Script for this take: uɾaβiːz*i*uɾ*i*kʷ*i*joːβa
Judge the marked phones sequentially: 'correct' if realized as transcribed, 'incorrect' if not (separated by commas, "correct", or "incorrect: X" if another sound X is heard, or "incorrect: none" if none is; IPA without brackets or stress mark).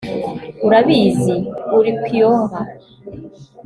correct, correct, correct